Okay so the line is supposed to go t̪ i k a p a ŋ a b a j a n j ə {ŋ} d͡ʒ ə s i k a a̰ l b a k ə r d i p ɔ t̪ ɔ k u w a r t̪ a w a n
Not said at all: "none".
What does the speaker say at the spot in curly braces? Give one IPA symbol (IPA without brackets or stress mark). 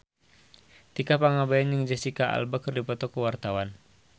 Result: ŋ